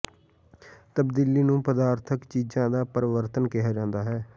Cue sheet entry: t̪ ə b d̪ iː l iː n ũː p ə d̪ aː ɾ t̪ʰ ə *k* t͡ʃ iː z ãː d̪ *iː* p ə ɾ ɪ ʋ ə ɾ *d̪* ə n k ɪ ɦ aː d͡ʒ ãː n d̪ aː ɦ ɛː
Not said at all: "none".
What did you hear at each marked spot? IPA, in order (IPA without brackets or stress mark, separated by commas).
k, aː, t̪